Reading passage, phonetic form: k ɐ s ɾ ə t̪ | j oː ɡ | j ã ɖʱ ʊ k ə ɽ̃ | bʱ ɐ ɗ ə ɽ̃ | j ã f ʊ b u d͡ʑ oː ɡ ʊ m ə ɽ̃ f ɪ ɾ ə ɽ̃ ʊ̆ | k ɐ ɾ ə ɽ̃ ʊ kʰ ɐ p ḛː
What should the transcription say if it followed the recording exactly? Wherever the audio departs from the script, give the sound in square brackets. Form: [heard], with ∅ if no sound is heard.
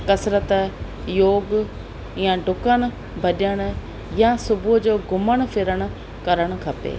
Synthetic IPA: k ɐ s ɾ ə t̪ | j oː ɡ | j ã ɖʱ ʊ k ə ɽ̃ | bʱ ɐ ɗ ə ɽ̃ | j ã [s] ʊ b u d͡ʑ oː ɡ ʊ m ə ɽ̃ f ɪ ɾ ə ɽ̃ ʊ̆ | k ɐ ɾ ə ɽ̃ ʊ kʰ ɐ p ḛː